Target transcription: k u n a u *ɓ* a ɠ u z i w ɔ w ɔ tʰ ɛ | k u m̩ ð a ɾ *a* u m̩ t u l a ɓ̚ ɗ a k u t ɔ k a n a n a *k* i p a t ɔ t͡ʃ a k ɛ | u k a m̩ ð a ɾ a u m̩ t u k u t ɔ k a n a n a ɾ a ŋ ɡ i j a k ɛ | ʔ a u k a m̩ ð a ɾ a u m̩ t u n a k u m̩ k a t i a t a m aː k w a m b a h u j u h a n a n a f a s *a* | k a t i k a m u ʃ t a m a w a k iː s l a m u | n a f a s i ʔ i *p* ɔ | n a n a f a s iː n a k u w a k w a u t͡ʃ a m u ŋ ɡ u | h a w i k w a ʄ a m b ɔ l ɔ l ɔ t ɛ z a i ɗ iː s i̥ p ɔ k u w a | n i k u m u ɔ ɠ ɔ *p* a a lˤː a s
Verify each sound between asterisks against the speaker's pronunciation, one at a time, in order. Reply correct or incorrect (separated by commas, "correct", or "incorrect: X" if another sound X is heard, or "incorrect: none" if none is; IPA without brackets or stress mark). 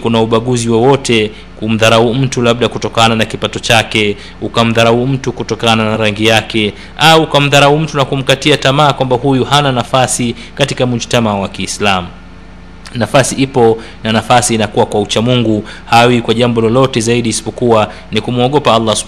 correct, correct, correct, incorrect: i, correct, correct